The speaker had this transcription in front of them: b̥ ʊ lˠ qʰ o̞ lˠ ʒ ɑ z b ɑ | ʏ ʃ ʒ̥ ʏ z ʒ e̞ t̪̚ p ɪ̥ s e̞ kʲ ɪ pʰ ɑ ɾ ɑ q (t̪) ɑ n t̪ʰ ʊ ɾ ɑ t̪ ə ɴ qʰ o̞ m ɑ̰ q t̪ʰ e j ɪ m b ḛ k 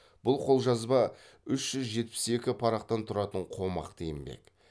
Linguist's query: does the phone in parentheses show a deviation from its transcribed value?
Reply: no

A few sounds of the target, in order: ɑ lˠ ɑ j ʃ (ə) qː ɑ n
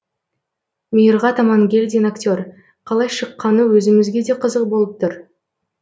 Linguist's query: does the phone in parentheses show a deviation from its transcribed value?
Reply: no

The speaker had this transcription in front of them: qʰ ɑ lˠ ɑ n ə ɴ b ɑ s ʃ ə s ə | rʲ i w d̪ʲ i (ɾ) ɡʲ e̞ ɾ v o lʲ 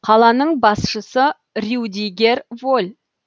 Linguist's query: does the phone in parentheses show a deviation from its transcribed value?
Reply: yes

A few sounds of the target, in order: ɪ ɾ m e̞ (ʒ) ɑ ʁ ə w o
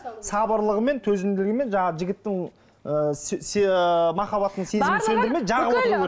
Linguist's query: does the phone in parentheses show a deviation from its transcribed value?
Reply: no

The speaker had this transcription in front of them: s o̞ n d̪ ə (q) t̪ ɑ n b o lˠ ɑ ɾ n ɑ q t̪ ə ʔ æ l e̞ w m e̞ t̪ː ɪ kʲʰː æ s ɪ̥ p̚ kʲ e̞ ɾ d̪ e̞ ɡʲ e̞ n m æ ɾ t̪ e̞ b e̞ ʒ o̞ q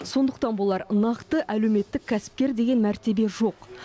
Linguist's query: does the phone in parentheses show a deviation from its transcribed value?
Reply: no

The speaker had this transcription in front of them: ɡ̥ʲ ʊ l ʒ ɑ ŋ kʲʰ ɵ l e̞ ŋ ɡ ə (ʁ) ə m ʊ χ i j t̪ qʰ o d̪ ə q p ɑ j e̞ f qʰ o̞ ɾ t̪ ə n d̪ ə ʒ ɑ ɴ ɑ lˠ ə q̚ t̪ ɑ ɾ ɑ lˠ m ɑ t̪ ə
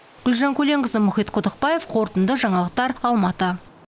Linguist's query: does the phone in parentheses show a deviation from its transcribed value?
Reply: yes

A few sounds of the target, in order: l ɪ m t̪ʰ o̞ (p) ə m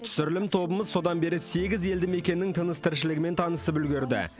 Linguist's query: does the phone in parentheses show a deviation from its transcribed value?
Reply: yes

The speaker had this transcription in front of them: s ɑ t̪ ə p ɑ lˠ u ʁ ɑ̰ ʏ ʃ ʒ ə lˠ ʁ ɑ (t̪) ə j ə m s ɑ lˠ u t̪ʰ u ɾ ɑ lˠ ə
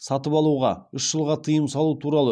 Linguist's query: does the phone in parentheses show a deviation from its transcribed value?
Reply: yes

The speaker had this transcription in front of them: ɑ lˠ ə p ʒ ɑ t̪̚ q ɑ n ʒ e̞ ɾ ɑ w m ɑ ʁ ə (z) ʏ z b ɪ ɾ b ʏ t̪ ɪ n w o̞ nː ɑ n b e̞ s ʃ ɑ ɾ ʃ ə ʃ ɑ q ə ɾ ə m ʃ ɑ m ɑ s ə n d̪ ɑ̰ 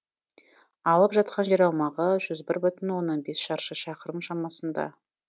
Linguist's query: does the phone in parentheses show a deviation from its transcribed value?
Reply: yes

